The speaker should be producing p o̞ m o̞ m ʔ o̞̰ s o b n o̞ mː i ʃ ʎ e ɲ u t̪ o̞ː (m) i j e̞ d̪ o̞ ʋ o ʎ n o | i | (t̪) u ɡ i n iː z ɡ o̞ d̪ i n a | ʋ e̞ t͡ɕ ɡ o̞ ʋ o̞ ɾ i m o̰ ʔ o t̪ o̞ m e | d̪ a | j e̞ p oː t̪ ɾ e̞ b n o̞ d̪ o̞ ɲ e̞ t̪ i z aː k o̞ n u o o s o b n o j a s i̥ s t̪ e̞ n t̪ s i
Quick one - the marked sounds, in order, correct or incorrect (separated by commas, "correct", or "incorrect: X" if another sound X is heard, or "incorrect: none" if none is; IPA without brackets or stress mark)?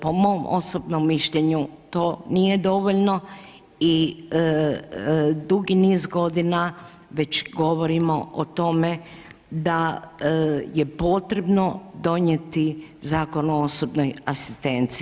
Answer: incorrect: n, incorrect: d̪